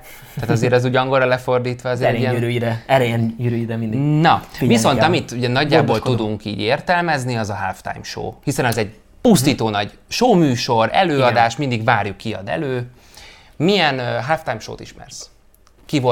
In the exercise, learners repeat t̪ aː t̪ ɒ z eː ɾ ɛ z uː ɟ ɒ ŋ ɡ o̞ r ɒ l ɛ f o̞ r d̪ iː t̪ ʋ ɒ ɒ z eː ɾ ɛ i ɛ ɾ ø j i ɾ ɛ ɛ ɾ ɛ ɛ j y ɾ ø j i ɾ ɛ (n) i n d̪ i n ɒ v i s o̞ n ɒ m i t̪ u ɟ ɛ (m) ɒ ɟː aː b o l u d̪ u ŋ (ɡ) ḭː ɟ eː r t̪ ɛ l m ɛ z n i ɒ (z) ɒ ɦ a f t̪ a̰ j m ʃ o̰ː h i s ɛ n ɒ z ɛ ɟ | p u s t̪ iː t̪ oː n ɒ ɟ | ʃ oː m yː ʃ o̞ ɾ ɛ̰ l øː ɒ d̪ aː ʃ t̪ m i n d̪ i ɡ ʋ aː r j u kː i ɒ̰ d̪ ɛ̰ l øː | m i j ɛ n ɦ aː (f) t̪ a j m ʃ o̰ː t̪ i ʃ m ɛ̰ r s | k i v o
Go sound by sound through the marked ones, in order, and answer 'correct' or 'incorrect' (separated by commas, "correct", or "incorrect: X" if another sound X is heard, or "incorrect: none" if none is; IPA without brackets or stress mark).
incorrect: m, incorrect: n, incorrect: k, correct, correct